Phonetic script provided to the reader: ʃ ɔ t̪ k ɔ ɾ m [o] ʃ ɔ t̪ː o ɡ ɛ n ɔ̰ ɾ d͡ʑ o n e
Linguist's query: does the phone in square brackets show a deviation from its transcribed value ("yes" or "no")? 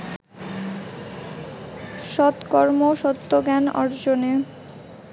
no